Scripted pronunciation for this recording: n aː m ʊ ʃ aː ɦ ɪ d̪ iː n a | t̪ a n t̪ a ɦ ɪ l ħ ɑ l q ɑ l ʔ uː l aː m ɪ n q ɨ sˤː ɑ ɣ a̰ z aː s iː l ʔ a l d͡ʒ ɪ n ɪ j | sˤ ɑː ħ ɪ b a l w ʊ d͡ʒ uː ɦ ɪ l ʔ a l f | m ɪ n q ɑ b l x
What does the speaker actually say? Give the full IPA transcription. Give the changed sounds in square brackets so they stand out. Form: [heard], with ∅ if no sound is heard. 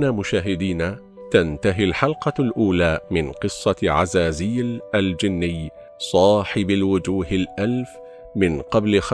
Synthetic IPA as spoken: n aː m ʊ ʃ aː ɦ ɪ d̪ iː n a | t̪ a n t̪ a ɦ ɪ l ħ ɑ l q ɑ l ʔ uː l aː m ɪ n q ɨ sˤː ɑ [ʕ] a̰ z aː [z] iː l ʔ a l d͡ʒ ɪ [nː] ɪ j | sˤ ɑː ħ ɪ b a l w ʊ d͡ʒ uː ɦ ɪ l ʔ a l f | m ɪ n q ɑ b l x